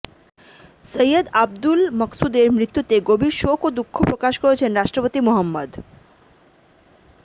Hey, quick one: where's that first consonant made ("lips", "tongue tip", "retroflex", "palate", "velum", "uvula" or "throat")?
tongue tip